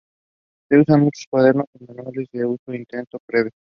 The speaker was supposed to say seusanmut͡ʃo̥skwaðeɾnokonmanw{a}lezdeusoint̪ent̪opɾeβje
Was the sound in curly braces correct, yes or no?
yes